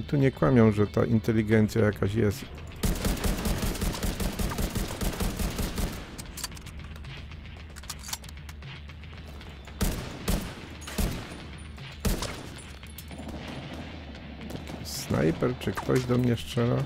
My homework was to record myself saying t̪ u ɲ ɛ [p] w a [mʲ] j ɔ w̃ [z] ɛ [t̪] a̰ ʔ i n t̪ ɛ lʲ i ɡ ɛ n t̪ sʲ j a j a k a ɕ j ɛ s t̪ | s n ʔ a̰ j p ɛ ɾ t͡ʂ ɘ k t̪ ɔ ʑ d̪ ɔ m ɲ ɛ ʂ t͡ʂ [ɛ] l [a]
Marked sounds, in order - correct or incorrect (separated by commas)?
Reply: incorrect, correct, incorrect, correct, correct, correct